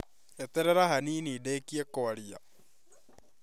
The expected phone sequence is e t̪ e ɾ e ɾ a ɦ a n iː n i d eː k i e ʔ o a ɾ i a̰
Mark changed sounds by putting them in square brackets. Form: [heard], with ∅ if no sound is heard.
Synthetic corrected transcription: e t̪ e ɾ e ɾ a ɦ a n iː n i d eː k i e [k] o a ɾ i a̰